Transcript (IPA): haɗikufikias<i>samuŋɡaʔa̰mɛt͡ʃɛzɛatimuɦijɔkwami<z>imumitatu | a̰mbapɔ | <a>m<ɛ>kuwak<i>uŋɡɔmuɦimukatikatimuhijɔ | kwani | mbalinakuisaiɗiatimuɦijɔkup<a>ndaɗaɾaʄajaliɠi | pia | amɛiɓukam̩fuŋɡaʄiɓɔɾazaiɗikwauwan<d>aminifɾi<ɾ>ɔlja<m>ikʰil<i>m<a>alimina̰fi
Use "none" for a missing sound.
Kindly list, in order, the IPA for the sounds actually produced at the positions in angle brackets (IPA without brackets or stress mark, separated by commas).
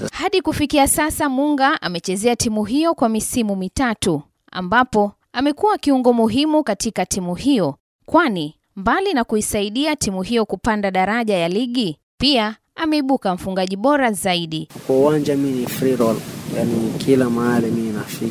a, s, a, ɛ, i, a, d͡ʒ, ɾ, n, a, a